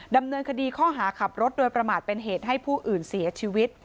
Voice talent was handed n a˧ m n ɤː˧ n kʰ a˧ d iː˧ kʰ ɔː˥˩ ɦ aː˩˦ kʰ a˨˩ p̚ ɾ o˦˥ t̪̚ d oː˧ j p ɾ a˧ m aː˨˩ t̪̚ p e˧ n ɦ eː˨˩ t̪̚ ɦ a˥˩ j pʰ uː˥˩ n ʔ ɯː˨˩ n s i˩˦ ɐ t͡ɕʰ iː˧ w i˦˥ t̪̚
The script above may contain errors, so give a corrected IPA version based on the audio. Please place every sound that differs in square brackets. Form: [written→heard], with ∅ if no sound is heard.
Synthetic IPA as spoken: [n→d] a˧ m n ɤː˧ n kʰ a˧ d iː˧ kʰ ɔː˥˩ ɦ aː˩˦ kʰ a˨˩ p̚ ɾ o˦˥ t̪̚ d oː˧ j p ɾ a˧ m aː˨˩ t̪̚ p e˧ n ɦ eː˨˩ t̪̚ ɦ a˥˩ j pʰ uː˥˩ [n→∅] ʔ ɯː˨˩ n s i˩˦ ɐ t͡ɕʰ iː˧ w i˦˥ t̪̚